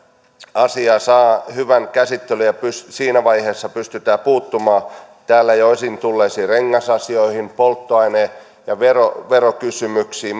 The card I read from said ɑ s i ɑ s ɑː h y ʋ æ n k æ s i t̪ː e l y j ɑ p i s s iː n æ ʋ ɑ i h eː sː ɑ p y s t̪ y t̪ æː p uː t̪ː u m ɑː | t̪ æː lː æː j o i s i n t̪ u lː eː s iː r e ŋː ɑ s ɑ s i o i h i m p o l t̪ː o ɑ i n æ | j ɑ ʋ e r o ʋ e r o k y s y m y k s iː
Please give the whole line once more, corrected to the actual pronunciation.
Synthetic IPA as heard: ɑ s i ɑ s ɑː h y ʋ æ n k æ s i t̪ː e l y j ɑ p y s s iː n æ ʋ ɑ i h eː sː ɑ p y s t̪ y t̪ æː p uː t̪ː u m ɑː | t̪ æː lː æ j o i s i n t̪ u lː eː s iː r e ŋː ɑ s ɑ s i o i h i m p o l t̪ː o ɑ i n e | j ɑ ʋ e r o ʋ e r o k y s y m y k s iː